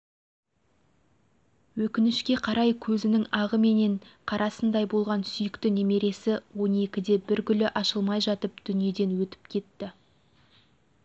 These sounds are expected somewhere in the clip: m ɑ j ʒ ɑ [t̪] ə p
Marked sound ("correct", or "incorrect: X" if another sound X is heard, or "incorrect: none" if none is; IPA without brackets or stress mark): correct